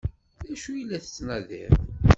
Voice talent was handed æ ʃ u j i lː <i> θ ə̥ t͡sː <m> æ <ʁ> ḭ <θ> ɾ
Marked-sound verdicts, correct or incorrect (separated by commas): incorrect, incorrect, incorrect, incorrect